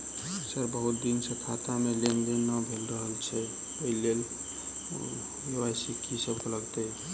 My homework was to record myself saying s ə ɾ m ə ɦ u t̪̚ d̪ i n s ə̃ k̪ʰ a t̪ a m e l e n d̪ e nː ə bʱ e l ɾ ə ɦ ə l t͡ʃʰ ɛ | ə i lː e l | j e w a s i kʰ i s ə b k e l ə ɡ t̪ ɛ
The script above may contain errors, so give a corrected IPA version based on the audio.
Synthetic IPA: s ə ɾ b ə ɦ u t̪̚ d̪ i n s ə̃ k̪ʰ a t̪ a m e l e n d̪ e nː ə bʱ e l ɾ ə ɦ ə l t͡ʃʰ ɛ | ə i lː e l | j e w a s i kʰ i s ə b k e l ə ɡ t̪ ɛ